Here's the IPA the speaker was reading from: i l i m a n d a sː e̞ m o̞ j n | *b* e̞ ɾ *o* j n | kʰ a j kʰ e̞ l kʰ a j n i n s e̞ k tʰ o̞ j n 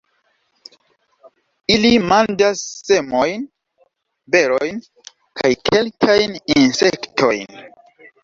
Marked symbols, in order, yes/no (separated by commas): yes, yes